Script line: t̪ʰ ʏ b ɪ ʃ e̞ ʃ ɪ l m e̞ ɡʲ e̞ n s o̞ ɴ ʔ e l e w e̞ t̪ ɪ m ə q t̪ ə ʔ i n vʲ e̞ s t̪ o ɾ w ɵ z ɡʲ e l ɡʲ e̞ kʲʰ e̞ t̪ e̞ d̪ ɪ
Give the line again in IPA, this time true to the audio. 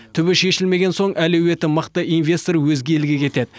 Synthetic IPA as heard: t̪ʰ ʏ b ɪ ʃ e̞ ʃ ɪ l m e̞ ɡʲ e̞ n s o̞ ɴ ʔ æ l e w e̞ t̪ ɪ m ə q t̪ ə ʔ i n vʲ e̞ s t̪ o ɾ w ɵ z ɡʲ e l ɡʲ e̞ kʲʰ e̞ t̪ e̞ d̪ ɪ

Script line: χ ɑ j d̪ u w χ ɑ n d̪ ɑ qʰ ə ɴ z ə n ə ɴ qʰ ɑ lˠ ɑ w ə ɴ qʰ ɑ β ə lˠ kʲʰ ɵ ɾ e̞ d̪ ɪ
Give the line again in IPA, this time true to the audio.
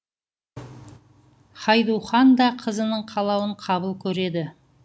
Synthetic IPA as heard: χ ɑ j d̪ u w χ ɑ n d̪ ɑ qʰ ə z ə n ə ɴ qʰ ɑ lˠ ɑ w ə ɴ qʰ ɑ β ə lˠ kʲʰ ɵ ɾ e̞ d̪ ɪ

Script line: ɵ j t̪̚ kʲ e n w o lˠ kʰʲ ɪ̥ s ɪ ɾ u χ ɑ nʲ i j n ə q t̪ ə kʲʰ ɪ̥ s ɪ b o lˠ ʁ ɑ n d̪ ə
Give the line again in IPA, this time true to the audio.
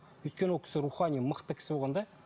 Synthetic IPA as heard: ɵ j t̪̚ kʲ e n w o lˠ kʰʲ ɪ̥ s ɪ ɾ u χ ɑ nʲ i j m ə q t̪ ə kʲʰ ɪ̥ s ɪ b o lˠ ʁ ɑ n d̪ ɑ

